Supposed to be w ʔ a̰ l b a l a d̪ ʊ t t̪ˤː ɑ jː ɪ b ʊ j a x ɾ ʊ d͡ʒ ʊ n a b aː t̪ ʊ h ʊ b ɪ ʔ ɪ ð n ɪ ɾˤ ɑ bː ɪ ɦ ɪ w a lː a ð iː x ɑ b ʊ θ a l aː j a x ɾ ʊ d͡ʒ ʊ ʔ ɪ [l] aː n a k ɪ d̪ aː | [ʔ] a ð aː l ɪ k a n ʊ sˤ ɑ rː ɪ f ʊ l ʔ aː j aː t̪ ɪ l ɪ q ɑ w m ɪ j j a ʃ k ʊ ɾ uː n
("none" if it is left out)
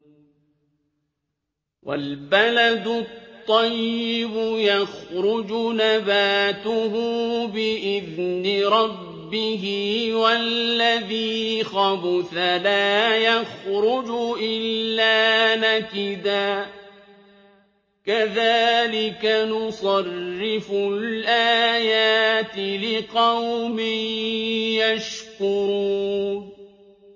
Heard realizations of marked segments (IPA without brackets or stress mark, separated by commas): lː, k